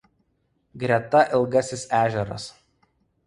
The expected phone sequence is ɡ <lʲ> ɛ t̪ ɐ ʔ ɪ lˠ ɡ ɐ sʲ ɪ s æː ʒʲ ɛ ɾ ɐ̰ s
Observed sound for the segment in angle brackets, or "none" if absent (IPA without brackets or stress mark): ɾʲ